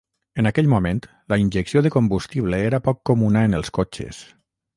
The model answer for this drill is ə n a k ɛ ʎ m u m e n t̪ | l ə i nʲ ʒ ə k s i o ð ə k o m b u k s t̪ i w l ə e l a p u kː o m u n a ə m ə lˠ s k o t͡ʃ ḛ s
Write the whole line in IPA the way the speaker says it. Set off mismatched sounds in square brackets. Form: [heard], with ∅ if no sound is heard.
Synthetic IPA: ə n a k ɛ ʎ m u m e n t̪ | l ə i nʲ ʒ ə k s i o ð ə k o m b u [∅] s t̪ i [β] l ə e [ɾ] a p [ɔ] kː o m u n a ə [n] ə lˠ s k o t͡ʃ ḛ s